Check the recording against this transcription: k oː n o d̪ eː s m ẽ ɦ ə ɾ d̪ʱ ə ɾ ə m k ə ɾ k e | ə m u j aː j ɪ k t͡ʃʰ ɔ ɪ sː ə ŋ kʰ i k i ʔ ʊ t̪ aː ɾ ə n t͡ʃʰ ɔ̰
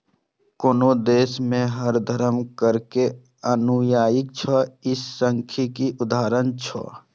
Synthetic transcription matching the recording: k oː n o d̪ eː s m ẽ ɦ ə ɾ d̪ʱ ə ɾ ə m k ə ɾ k e | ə n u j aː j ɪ k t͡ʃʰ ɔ ɪ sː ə ŋ kʰ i k i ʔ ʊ d̪ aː ɾ ə n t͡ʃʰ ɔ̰